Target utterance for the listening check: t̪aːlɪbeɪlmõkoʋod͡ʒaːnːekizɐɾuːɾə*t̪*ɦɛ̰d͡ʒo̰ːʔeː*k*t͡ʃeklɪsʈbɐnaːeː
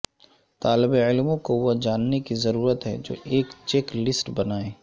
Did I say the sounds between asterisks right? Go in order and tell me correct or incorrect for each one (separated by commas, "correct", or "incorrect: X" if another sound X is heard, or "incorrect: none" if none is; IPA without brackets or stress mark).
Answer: correct, correct